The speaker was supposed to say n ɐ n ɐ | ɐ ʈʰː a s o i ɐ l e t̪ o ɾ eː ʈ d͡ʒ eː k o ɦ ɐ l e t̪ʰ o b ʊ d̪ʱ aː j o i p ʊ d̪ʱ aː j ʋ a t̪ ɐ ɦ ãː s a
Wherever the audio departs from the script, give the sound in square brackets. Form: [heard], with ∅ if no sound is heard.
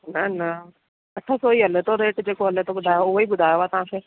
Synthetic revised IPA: n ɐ n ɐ | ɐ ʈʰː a s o i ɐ l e t̪ o ɾ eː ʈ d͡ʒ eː k o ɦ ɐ l e [t̪] o b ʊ d̪ʱ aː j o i [b] ʊ d̪ʱ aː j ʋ a t̪ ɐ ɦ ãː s [e]